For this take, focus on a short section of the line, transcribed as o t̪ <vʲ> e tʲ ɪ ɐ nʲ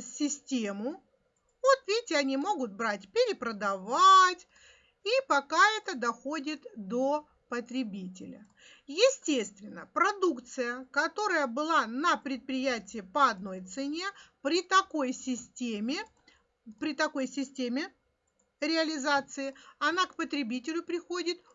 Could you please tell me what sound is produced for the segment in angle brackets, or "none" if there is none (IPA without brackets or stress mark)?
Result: vʲ